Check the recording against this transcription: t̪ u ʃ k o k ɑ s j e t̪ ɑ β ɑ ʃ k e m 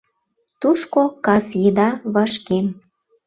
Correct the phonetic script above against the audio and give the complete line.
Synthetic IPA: t̪ u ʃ k o k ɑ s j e d̪ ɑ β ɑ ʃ k e m